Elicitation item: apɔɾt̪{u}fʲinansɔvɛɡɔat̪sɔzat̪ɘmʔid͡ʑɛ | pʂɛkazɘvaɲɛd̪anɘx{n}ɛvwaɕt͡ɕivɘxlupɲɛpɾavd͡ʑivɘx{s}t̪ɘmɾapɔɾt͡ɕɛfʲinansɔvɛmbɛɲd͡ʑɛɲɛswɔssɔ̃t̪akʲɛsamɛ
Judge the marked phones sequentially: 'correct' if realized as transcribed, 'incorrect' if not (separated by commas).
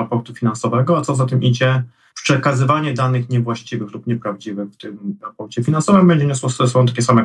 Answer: correct, incorrect, incorrect